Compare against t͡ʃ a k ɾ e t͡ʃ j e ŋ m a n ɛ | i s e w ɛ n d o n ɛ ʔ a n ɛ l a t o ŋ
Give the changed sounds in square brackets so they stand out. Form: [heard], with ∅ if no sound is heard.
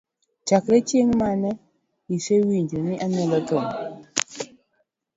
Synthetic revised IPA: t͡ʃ a k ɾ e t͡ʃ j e ŋ m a n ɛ | i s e w [i] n [d͡ʒ] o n [i] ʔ a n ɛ l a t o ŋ